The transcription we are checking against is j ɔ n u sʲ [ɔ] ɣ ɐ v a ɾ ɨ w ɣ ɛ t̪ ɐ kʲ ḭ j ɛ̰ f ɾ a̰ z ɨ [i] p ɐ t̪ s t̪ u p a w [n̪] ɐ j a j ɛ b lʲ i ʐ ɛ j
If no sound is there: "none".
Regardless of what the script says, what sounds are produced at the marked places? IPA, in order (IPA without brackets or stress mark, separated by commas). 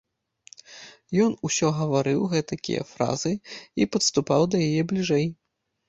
ɔ, i, d̪